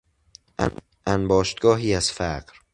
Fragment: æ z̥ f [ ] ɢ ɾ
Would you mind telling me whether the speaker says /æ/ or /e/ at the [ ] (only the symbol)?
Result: æ